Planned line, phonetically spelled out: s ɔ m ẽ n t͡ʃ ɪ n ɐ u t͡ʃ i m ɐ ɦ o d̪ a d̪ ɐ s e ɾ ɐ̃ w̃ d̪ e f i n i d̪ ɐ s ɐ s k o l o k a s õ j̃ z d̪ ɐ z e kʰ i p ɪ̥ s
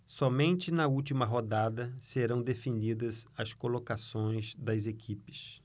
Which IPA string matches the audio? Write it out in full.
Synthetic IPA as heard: s ɔ m ẽ n t͡ʃ ɪ n ɐ u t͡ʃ i m ɐ ɦ o d̪ a d̪ ɐ s e ɾ ɐ̃ w̃ d̪ e f i n i d̪ ɐ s ɐ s k o l o k a s õ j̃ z d̪ ɐ z e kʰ i p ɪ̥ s